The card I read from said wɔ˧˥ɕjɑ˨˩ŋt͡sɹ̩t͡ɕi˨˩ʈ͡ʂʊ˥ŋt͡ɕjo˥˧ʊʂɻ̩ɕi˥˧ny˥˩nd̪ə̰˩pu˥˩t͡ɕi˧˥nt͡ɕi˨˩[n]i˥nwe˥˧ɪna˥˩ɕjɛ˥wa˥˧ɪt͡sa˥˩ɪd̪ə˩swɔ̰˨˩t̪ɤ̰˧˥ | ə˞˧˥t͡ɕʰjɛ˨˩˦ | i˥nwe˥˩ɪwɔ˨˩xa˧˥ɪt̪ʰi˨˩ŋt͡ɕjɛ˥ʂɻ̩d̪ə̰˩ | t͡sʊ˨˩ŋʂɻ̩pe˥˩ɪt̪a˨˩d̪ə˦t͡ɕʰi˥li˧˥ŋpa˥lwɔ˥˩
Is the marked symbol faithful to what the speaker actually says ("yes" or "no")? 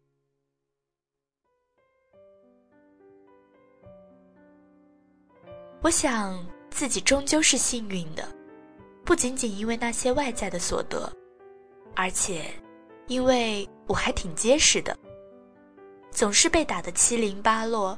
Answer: yes